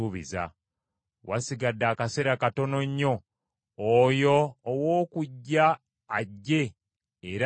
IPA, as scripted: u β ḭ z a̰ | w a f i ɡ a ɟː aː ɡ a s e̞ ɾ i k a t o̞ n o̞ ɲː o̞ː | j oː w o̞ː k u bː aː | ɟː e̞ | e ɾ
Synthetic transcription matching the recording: u β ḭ z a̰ | w a s i ɡ a dː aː k a s e̞ ɾ a k a t o̞ n o̞ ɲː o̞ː | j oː w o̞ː k u ɟː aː | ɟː e̞ | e ɾ